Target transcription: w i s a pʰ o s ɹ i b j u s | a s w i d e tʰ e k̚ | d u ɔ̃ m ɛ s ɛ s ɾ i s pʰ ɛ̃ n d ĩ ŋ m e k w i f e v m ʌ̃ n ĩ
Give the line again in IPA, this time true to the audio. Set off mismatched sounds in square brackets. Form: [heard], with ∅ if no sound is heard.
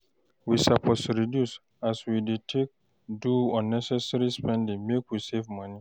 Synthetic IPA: w i s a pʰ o s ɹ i [d] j u s | a s w i d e tʰ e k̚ | d u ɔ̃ [n] ɛ s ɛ s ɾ i s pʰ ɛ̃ n d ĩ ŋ m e k w i [s] e v m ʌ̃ n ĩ